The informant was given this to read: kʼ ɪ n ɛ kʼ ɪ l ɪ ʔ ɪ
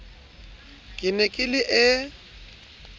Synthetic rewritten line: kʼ ɪ n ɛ kʼ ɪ l ɪ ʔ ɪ